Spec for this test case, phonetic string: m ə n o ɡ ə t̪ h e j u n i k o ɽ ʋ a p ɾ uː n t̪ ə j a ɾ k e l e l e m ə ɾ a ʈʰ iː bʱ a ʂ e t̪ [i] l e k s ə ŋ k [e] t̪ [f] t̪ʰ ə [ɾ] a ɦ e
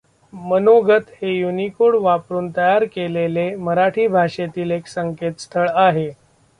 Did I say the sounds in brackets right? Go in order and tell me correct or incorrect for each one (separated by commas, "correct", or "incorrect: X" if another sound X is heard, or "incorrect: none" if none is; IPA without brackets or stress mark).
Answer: incorrect: iː, correct, incorrect: s, incorrect: ɭ